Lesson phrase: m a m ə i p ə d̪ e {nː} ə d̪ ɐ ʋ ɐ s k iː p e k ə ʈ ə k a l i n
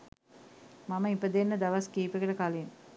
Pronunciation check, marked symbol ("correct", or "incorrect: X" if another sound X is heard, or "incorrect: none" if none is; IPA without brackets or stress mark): correct